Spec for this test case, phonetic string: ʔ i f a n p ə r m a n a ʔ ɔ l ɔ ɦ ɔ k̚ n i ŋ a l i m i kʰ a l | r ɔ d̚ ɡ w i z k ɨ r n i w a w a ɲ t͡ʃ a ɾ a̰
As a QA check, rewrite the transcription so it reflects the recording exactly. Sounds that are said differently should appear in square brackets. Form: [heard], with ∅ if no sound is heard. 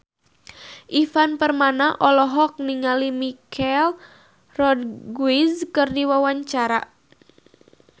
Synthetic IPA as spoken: ʔ i f a n p ə r m a n a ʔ ɔ l ɔ ɦ ɔ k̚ n i ŋ a l i m i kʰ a l | r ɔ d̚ ɡ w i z k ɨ r [d] i w a w a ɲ t͡ʃ a ɾ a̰

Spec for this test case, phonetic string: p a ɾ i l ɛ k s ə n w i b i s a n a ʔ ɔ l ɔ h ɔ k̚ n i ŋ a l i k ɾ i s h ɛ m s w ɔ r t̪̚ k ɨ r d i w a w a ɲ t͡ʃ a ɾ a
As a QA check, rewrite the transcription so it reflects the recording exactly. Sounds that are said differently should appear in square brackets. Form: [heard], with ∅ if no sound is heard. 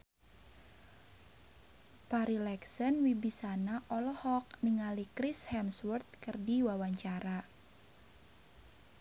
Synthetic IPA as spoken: p a ɾ i l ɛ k s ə n w i b i s a n a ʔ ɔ l ɔ h ɔ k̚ n i ŋ a l i k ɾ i s h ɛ m s w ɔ r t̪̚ k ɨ r d i w a w a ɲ t͡ʃ a ɾ a

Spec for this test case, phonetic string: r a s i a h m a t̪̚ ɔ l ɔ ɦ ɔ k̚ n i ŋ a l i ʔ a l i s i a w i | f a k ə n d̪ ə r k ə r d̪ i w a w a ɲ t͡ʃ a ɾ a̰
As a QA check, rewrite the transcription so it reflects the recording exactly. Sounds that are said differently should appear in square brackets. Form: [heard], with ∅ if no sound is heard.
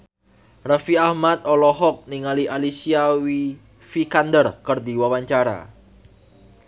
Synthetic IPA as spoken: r a [f] i a h m a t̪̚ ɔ l ɔ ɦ ɔ k̚ n i ŋ a l i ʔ a l i s i a w i | f [i] k [a] n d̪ ə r k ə r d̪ i w a w a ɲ t͡ʃ a ɾ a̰

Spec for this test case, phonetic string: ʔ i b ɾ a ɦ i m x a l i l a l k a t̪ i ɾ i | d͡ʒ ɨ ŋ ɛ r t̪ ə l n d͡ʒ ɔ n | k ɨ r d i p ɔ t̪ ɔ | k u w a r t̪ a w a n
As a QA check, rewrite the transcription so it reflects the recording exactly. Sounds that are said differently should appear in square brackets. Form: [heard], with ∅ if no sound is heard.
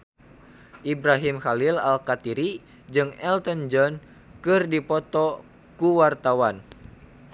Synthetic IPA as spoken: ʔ i b ɾ a ɦ i m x a l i l a l k a t̪ i ɾ i | d͡ʒ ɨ ŋ ɛ [l] t̪ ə [∅] n d͡ʒ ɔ n | k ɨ r d i p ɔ t̪ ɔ | k u w a r t̪ a w a n

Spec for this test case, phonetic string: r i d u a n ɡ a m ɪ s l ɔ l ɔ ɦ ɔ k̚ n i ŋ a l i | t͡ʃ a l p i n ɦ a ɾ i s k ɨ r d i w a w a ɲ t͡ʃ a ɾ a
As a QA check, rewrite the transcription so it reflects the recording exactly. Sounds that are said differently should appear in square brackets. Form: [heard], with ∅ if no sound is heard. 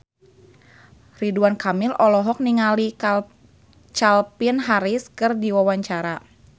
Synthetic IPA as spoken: r i d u a n [k] a m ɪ [∅] l ɔ l ɔ ɦ ɔ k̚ n i ŋ a l i | t͡ʃ a l p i n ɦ a ɾ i s k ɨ r d i w a w a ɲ t͡ʃ a ɾ a

